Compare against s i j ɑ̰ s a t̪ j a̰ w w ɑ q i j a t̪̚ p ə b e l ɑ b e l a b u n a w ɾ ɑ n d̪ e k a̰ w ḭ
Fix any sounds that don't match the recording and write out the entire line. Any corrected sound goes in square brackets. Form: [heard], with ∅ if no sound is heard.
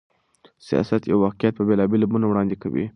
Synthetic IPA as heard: s i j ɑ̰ s a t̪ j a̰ w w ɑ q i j a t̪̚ p ə b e l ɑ b e l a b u n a w [ɽ] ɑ n d̪ e k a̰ w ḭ